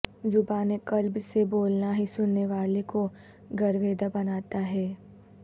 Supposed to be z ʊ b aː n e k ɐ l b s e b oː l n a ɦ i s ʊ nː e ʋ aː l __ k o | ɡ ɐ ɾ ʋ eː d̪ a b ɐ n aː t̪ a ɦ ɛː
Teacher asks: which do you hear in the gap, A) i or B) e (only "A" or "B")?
B